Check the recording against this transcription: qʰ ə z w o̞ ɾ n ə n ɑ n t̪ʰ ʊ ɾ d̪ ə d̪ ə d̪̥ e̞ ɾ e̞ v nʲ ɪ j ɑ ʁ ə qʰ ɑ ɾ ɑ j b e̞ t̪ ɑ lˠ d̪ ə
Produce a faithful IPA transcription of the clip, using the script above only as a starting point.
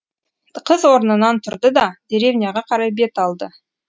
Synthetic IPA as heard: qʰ ə z w o̞ ɾ n ə n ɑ n t̪ʰ ʊ ɾ d̪ ə d̪ ɑ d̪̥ e̞ ɾ e̞ v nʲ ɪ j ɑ ʁ ɑ qʰ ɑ ɾ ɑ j b e̞ t̪ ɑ lˠ d̪ ə